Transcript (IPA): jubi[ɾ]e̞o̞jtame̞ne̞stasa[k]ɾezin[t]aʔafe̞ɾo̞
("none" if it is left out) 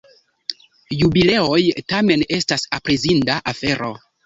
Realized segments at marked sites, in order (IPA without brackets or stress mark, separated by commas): l, p, d